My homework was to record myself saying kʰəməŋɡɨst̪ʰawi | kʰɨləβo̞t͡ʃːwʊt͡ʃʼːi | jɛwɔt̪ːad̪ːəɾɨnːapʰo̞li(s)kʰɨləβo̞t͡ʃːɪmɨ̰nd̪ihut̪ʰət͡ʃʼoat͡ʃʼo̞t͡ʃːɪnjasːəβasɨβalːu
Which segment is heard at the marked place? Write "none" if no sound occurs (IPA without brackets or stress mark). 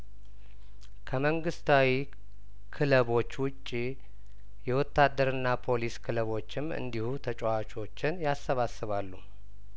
s